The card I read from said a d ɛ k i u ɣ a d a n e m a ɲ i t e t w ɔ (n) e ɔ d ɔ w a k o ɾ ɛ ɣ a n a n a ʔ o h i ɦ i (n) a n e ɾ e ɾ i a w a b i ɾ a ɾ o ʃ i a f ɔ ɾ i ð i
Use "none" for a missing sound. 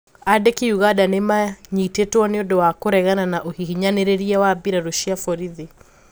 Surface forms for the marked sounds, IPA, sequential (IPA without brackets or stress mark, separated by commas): n, ɲ